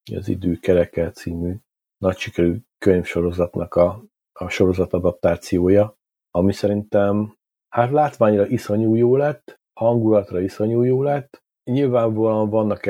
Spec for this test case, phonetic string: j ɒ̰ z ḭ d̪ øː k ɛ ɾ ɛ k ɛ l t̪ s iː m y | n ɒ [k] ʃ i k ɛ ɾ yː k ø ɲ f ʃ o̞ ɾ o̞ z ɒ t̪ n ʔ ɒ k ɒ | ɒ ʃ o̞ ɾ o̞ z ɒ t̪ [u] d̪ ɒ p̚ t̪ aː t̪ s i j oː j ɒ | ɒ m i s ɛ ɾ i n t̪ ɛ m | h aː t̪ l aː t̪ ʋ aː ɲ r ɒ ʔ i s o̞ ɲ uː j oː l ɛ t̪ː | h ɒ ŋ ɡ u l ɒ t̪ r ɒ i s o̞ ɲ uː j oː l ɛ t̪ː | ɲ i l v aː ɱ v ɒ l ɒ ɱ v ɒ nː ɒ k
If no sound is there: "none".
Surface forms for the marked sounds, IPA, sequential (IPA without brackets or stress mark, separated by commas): c, ɒ